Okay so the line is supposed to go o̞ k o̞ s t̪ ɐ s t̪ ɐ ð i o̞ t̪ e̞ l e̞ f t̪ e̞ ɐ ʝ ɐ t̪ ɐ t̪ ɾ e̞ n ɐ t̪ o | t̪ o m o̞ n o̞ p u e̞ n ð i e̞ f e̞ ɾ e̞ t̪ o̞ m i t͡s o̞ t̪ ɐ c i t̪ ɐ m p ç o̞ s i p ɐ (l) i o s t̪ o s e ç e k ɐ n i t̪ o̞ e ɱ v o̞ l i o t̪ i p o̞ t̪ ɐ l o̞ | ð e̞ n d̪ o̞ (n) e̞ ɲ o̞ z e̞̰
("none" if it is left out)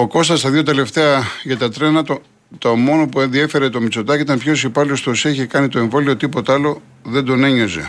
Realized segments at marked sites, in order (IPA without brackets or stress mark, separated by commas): l, n